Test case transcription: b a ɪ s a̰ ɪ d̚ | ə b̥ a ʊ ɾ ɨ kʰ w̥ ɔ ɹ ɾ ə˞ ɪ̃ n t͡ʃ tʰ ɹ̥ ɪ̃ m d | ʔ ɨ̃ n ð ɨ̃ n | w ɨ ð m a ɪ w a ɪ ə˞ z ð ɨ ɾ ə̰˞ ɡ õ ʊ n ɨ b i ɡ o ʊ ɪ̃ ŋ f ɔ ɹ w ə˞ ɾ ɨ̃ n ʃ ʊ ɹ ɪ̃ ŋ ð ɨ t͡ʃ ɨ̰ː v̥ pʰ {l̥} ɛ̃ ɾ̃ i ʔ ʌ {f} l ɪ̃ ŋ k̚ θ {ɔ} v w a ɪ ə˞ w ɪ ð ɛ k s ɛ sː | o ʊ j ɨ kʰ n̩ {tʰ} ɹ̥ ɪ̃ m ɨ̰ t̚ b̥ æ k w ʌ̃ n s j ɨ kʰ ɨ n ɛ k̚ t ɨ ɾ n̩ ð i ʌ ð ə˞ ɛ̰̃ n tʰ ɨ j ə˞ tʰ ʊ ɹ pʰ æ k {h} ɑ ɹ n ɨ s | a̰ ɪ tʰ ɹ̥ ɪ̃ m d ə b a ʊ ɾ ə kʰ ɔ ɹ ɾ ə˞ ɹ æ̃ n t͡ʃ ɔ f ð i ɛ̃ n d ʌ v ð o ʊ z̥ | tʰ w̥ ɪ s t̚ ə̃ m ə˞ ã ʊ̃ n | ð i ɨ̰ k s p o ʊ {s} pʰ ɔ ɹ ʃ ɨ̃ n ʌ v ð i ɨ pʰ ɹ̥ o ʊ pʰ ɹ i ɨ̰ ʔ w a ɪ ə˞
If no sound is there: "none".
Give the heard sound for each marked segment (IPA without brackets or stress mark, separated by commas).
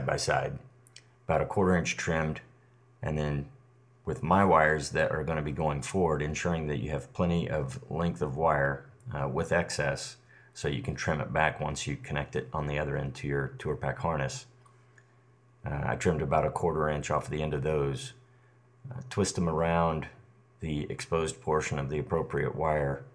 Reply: l̥, v, ʌ, tʰ, h, z